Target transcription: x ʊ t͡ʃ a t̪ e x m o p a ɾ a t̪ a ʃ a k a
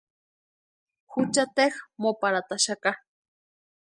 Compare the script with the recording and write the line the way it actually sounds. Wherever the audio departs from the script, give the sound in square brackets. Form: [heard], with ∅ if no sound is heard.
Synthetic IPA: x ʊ t͡ʃ a t̪ e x m o p a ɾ a t̪ a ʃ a k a